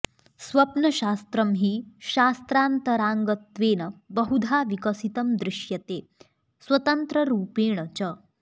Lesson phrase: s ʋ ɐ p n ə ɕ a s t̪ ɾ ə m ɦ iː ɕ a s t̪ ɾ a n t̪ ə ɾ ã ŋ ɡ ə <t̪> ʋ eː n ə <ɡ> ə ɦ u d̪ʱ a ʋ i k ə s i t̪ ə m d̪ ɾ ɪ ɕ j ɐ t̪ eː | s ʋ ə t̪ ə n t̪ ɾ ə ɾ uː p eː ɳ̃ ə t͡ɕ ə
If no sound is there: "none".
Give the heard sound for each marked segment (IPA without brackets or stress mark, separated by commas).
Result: t̪, b